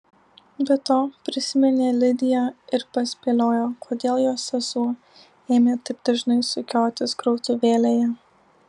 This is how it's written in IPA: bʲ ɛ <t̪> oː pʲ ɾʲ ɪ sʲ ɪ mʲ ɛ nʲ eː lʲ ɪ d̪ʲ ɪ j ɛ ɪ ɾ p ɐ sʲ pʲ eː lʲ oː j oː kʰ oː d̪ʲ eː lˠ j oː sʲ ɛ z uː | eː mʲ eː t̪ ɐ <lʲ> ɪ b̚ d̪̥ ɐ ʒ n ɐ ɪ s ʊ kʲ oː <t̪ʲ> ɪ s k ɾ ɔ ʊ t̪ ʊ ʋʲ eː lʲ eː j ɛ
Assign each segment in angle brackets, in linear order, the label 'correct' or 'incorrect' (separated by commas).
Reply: correct, incorrect, correct